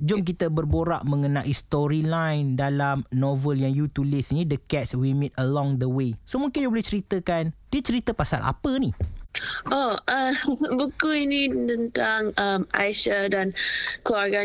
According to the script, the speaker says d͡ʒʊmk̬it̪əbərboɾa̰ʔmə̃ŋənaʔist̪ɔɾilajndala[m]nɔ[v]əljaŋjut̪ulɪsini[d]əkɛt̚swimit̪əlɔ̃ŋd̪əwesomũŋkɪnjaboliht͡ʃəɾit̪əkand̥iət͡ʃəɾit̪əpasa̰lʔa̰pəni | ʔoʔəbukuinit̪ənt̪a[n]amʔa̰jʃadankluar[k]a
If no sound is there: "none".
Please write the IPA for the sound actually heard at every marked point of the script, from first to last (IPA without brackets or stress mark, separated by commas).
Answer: m, v, d, ŋ, ɡ